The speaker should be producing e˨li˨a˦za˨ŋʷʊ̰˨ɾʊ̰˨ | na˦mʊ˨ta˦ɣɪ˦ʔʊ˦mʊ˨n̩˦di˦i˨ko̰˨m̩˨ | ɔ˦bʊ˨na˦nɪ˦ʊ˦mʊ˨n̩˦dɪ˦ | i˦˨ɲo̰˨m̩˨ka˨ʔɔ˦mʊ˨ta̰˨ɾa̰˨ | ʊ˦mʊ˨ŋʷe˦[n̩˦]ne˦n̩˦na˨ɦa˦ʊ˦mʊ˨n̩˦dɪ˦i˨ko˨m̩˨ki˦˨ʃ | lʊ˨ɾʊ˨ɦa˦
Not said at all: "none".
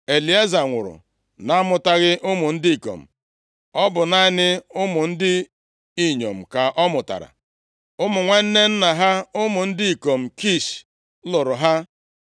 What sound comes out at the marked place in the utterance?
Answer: n̩˦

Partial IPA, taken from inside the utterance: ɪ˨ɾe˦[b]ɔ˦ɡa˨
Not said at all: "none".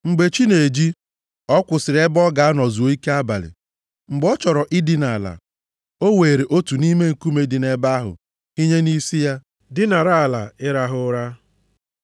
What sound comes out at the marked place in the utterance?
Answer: b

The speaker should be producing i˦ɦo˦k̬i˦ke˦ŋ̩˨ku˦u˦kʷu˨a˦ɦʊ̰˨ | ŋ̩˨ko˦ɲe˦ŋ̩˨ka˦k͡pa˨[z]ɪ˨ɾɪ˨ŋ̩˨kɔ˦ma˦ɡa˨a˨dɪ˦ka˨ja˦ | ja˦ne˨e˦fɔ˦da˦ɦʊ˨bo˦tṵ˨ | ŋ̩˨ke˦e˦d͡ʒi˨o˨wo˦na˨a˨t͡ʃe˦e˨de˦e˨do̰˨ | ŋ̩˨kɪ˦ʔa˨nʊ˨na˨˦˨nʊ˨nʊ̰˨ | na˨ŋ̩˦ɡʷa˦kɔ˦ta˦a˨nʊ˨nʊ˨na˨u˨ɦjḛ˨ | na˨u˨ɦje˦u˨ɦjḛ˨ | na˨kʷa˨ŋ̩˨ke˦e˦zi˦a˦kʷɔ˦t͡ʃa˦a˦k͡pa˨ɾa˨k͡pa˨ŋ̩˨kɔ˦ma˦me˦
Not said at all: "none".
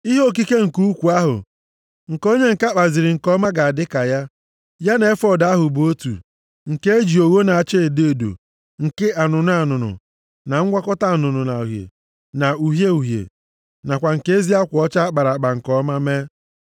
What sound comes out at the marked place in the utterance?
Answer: z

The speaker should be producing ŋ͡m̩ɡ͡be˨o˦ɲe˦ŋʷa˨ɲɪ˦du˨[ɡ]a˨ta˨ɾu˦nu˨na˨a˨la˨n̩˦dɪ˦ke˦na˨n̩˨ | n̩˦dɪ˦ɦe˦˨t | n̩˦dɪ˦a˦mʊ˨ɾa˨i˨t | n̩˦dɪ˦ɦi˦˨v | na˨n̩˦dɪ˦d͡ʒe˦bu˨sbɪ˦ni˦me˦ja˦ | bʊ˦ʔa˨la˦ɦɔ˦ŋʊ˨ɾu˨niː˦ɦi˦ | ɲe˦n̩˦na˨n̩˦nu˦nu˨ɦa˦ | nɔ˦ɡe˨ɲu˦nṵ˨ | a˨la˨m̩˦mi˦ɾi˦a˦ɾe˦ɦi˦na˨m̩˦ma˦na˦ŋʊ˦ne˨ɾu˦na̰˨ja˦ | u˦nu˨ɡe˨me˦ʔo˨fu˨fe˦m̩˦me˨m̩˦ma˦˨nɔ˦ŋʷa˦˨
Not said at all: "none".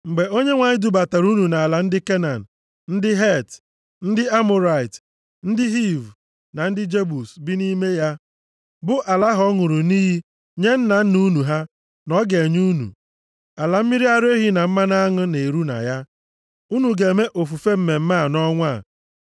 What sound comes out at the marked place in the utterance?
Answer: b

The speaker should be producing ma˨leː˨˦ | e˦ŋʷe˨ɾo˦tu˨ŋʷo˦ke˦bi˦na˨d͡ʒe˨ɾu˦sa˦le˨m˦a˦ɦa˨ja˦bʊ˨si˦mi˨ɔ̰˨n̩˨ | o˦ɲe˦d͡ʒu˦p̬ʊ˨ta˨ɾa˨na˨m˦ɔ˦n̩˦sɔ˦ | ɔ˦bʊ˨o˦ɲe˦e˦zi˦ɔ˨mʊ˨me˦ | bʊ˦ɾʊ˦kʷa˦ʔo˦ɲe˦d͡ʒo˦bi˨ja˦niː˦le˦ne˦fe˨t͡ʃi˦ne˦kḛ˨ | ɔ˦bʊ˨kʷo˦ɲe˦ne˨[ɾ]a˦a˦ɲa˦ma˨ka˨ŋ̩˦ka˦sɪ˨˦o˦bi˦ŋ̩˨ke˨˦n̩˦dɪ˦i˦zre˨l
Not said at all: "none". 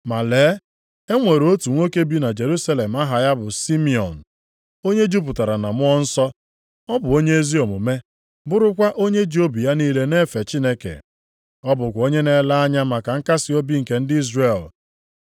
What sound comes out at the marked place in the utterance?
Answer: l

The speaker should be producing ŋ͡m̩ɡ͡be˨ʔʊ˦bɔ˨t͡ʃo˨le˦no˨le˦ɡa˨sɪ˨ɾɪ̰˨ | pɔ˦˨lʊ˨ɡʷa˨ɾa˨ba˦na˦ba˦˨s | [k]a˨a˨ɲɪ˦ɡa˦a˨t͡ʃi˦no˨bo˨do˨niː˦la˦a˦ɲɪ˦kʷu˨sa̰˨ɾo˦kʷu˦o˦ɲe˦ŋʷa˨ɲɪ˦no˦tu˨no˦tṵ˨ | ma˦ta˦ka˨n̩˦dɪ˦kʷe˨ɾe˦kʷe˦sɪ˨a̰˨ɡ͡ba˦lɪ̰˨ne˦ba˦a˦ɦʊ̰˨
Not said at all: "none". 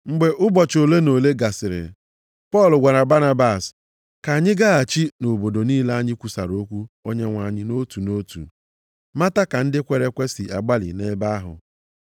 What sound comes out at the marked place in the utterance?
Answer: k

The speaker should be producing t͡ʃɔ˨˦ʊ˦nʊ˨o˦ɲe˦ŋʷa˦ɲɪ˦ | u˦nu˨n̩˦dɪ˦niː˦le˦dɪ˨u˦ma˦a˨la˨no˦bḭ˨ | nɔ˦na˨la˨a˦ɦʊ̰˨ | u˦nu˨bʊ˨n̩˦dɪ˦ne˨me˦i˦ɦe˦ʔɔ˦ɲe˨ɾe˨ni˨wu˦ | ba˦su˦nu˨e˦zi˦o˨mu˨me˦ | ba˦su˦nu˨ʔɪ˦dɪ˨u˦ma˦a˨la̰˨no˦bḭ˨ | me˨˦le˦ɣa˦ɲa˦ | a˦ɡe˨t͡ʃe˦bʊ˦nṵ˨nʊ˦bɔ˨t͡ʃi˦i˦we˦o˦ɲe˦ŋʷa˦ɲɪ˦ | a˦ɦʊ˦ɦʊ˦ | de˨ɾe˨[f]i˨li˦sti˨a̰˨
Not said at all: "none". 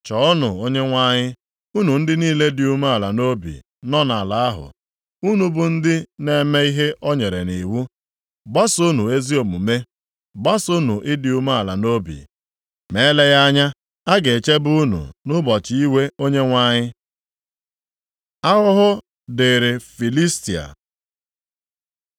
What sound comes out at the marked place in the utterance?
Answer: f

